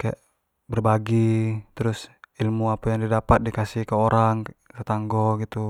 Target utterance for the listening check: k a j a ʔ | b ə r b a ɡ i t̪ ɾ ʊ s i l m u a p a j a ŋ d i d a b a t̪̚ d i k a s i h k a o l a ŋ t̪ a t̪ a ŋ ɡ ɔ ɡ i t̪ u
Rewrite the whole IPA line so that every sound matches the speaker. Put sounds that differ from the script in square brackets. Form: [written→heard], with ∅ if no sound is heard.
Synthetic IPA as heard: k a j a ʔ | b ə r b a ɡ i t̪ ɾ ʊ s i l m u a p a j a ŋ d i d a [b→p] a t̪̚ d i k a s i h k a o [l→ɾ] a ŋ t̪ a t̪ a ŋ ɡ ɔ ɡ i t̪ u